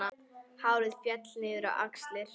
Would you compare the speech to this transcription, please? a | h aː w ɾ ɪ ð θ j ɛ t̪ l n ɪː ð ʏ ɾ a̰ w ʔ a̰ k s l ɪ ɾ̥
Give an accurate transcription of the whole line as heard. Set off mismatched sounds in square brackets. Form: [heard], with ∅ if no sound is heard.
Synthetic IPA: a | h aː w ɾ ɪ ð [f] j ɛ t̪ l n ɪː ð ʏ ɾ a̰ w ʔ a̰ k s l ɪ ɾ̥